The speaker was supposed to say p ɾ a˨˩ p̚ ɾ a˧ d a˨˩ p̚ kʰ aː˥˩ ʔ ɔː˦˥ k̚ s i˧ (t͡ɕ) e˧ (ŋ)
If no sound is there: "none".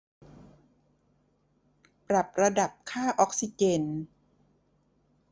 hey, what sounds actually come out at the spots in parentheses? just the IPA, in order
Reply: t͡ɕ, n

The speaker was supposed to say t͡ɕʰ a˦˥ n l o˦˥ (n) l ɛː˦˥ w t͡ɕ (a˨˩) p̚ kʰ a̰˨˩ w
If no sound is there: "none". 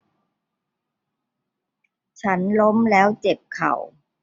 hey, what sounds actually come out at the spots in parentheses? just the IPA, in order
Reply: m, e˨˩

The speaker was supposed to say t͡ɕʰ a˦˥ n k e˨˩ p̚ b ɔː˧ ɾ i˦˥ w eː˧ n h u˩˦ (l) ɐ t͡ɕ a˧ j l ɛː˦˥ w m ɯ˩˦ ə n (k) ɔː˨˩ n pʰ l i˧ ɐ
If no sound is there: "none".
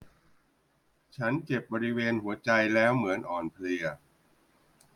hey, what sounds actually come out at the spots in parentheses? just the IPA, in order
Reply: none, ʔ

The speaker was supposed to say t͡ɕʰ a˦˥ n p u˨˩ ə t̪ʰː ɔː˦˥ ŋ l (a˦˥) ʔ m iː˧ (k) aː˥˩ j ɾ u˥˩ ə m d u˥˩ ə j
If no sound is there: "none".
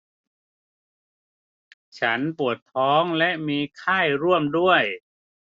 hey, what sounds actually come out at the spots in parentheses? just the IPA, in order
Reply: ɛ˦˥, kʰ

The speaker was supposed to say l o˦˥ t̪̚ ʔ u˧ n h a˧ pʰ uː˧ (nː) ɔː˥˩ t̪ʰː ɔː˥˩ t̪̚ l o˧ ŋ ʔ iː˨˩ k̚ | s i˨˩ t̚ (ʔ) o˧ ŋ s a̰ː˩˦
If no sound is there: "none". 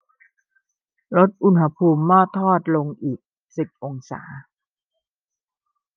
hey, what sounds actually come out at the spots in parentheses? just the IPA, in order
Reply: mː, ʔ

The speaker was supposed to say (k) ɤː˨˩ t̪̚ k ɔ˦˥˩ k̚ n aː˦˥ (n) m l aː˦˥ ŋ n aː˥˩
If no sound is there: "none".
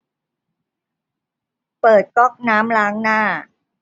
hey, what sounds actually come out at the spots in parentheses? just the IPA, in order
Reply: p, none

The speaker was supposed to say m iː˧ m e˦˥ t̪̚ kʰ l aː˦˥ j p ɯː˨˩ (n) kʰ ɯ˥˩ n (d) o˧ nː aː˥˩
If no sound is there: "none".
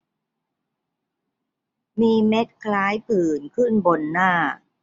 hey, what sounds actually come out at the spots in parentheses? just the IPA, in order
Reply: n, b

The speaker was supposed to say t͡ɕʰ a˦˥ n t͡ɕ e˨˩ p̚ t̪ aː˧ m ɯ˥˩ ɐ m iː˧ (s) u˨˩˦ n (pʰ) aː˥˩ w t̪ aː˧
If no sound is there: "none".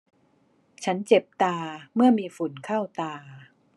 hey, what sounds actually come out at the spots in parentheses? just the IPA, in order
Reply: f, kʰ

